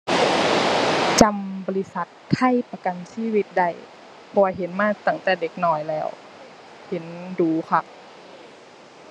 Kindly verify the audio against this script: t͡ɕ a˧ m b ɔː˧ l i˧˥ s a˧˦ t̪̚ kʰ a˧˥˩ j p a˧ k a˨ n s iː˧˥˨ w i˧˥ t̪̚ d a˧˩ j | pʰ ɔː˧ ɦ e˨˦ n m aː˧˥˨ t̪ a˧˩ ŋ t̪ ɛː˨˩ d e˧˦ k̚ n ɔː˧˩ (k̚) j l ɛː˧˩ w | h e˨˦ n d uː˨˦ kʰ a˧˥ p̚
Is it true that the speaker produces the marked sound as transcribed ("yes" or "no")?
no